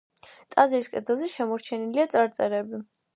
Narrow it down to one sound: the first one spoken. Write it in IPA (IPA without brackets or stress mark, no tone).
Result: t̪ʼ